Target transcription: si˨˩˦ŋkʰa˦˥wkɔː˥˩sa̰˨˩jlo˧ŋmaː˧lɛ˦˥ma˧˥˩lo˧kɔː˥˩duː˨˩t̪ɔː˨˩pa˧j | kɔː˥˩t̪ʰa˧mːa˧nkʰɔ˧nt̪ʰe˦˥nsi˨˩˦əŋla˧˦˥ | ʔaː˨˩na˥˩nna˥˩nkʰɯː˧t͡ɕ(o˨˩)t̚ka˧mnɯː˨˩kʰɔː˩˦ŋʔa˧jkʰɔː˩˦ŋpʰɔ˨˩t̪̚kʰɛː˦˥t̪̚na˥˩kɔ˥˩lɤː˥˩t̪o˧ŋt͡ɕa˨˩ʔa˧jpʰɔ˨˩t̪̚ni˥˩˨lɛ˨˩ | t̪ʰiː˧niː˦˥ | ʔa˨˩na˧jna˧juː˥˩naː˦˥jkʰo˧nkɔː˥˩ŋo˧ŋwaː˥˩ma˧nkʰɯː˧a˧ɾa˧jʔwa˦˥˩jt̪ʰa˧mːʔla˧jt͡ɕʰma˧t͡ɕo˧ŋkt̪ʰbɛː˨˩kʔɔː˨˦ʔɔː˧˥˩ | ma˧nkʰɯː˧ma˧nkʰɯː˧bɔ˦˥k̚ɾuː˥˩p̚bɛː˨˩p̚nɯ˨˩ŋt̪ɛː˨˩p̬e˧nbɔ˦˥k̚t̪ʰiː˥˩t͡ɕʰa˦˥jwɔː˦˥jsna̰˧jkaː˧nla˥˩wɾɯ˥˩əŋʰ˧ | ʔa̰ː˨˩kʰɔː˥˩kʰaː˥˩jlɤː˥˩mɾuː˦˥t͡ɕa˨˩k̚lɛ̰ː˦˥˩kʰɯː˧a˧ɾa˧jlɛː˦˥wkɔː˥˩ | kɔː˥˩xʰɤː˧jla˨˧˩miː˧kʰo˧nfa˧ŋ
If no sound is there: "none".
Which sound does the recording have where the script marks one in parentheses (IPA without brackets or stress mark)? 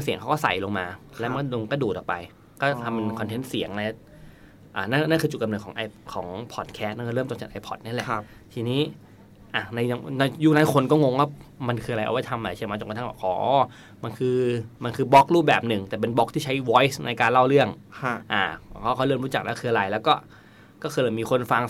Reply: u˨˩